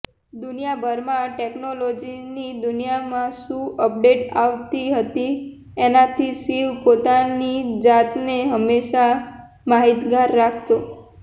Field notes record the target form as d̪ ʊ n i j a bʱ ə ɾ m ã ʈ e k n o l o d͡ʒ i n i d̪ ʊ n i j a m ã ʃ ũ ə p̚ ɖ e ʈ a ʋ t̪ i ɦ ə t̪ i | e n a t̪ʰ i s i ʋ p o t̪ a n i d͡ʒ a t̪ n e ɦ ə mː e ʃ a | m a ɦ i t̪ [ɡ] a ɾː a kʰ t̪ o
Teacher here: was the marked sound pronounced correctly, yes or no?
yes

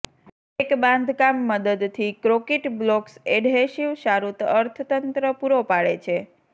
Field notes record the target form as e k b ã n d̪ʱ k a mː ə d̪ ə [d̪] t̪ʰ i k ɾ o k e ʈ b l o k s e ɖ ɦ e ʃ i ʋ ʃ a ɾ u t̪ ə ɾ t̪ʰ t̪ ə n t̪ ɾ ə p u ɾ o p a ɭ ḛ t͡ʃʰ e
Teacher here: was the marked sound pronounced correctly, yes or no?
yes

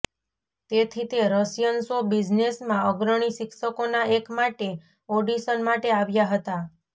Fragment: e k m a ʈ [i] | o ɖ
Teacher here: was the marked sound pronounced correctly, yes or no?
no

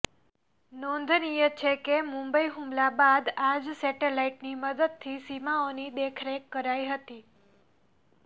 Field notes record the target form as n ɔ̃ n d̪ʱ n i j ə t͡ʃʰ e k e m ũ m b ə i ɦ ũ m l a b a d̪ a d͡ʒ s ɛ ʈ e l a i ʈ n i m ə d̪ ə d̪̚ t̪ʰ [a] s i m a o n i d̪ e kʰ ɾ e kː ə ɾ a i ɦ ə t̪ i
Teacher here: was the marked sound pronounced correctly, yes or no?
no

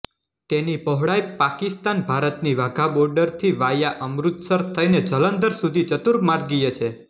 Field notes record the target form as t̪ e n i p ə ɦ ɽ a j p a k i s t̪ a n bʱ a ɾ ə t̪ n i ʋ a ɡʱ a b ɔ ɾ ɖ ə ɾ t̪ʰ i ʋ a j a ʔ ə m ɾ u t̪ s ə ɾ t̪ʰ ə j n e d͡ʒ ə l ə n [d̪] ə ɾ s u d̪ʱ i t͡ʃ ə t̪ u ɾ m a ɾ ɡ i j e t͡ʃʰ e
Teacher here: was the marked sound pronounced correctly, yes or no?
yes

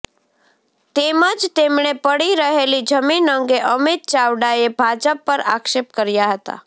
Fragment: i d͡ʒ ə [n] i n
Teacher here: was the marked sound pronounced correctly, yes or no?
no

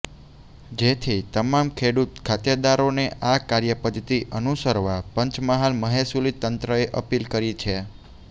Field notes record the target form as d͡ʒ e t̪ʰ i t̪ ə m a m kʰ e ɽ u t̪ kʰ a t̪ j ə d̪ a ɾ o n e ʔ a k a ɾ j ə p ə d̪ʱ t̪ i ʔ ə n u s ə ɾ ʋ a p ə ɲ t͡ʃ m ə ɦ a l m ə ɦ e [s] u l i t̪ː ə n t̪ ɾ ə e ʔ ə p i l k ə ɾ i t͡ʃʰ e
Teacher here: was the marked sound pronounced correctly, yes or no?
yes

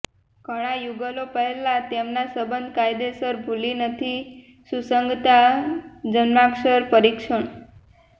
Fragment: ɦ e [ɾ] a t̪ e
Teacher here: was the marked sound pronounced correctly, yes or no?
no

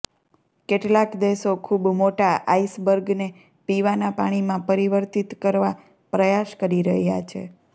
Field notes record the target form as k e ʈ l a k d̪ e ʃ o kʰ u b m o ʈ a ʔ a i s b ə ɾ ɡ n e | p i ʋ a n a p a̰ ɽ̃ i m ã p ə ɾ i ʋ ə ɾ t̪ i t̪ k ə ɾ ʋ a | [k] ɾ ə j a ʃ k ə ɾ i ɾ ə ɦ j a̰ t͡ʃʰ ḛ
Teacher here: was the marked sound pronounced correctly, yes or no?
no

